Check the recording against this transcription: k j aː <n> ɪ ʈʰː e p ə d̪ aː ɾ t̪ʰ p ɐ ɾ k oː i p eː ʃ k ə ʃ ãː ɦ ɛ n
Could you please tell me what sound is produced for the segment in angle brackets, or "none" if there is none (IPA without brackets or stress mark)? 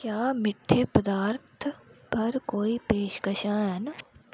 m